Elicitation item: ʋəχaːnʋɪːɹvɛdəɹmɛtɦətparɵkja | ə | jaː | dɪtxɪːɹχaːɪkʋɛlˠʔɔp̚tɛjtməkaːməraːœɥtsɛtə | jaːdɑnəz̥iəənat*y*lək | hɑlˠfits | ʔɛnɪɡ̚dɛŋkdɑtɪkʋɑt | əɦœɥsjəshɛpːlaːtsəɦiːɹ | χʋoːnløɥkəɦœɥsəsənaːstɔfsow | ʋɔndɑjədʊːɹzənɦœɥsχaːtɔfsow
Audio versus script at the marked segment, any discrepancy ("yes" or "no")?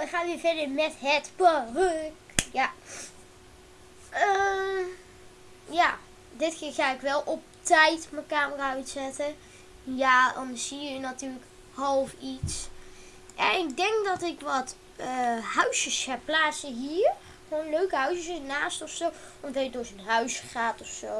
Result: yes